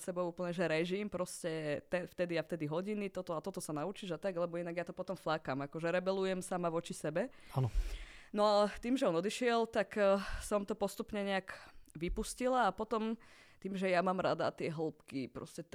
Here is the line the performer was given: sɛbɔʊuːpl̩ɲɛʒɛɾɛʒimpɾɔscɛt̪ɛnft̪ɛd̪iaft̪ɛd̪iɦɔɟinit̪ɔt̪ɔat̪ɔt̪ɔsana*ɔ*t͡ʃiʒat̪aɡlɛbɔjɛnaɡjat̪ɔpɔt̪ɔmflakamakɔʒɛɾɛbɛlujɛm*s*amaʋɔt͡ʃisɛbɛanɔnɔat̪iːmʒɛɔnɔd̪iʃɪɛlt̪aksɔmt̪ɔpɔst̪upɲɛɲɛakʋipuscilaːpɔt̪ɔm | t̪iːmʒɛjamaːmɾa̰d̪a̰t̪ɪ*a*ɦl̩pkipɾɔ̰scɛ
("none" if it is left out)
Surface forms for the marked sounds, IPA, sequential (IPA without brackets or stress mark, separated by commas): u, s, ɛ